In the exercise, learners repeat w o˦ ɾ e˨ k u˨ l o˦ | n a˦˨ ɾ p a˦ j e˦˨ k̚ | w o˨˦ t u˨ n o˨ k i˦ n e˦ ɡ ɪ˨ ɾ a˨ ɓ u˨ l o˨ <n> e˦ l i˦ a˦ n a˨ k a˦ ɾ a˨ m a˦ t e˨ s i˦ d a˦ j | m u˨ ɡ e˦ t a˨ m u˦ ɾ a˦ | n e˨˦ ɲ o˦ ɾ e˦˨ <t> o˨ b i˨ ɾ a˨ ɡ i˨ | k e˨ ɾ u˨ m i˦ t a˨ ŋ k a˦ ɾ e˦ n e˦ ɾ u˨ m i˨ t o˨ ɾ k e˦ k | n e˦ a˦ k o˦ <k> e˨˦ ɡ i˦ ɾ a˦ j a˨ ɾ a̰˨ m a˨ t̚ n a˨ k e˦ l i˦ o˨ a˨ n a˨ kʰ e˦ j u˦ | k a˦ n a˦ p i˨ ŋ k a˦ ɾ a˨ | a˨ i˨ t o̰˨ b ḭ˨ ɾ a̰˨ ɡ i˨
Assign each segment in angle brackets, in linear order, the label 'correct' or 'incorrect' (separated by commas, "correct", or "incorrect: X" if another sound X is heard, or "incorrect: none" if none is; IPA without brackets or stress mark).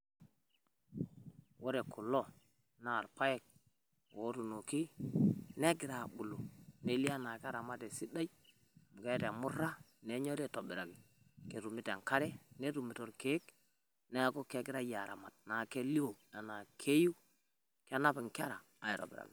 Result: correct, correct, correct